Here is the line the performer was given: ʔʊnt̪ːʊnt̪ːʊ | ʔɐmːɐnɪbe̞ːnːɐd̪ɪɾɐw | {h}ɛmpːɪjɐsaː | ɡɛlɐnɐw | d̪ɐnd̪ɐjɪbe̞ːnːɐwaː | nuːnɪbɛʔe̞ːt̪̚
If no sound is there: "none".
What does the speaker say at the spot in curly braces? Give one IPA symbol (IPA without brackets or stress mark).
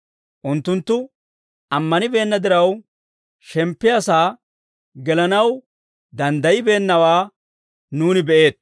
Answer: ʃ